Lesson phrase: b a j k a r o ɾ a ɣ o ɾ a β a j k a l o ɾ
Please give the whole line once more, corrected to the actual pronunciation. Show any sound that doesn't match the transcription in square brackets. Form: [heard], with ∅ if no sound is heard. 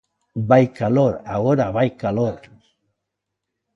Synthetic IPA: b a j k a [l] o ɾ a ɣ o ɾ a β a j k a l o ɾ